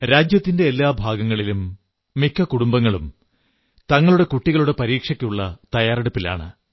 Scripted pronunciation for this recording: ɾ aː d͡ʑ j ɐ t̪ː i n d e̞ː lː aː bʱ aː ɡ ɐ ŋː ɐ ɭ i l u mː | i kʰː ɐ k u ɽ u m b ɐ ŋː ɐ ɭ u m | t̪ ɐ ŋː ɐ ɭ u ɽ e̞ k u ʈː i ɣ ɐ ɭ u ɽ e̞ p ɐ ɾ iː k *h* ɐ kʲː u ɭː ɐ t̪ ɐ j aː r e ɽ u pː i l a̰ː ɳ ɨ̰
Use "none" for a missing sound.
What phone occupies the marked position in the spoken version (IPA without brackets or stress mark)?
ʂ